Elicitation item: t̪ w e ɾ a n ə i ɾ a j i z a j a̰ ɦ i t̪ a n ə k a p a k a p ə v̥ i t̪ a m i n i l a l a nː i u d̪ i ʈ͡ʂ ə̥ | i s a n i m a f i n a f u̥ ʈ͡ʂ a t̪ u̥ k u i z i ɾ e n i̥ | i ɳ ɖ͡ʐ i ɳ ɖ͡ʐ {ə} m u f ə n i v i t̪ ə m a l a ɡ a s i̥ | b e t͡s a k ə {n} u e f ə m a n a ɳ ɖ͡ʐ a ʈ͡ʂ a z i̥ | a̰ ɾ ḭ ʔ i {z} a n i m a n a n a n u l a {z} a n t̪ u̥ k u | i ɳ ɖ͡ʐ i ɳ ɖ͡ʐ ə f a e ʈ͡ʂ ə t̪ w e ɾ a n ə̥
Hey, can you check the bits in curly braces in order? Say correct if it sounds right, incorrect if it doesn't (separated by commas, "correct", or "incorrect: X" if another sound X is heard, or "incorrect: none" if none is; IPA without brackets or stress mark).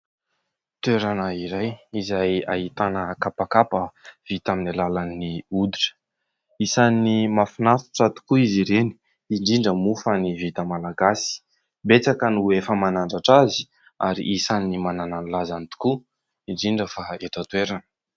correct, correct, incorrect: s, correct